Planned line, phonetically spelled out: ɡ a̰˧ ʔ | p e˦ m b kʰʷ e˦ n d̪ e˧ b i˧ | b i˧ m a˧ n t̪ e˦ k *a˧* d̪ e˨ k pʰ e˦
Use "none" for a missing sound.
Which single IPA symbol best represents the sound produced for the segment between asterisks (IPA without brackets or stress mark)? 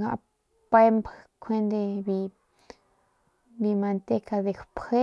a˧